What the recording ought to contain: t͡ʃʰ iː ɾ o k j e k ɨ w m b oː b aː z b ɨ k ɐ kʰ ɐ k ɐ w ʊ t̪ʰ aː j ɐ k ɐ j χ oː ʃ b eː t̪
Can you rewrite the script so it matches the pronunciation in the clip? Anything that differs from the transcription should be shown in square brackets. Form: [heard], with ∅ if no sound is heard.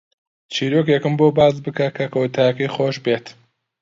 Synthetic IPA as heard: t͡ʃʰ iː ɾ o k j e k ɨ [∅] m b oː b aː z b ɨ k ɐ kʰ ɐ k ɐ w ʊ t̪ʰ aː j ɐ k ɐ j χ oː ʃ b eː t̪